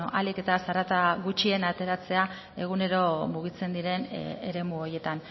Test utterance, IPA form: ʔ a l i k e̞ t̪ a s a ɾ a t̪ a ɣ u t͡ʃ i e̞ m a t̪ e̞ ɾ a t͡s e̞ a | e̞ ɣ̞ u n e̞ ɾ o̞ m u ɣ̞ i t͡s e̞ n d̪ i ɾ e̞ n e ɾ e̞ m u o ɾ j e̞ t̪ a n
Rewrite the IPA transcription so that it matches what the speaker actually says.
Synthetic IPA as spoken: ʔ a l i k e̞ t̪ a s a ɾ a t̪ a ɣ u t͡ʃ i e̞ n a t̪ e̞ ɾ a t͡s e̞ a | e̞ ɣ̞ u n e̞ ɾ o̞ m u ɣ̞ i t͡s e̞ n d̪ i ɾ e̞ n e ɾ e̞ m u o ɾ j e̞ t̪ a n